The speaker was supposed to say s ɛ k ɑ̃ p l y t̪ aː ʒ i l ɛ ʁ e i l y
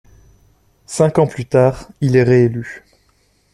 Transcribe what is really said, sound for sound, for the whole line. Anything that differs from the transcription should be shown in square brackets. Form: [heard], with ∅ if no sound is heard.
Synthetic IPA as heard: s [ɛ̃] k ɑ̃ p l y t̪ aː [ʁ] i l ɛ ʁ e [e] l y